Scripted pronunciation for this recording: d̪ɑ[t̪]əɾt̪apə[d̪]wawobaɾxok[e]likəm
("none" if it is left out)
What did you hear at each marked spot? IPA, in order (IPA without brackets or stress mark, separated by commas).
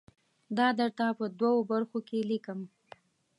d̪, d̪, e